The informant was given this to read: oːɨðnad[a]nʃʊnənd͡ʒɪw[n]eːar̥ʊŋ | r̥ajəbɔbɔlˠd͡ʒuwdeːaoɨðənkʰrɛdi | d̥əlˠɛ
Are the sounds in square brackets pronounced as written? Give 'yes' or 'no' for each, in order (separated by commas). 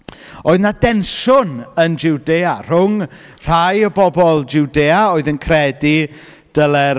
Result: no, no